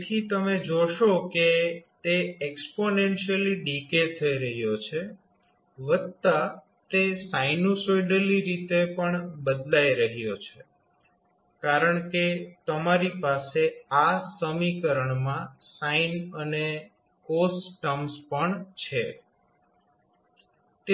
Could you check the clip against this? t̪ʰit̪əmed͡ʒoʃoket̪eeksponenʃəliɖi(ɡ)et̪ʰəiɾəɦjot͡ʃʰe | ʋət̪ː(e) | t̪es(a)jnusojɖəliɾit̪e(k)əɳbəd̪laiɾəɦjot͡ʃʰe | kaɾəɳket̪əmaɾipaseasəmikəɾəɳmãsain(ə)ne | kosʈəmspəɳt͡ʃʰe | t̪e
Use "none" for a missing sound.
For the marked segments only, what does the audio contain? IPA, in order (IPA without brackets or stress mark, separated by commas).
k, a, a, p, ə